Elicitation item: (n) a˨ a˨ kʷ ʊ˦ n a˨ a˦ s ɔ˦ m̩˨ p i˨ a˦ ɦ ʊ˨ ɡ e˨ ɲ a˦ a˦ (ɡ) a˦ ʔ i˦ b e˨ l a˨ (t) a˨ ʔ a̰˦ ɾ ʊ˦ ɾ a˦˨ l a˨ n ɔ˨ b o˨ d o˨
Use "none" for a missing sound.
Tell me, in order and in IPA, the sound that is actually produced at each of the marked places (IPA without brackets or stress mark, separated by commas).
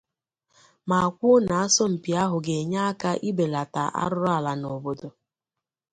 m, k, t